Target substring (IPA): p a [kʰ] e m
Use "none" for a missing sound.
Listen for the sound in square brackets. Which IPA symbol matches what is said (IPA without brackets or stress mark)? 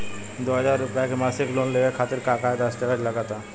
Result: k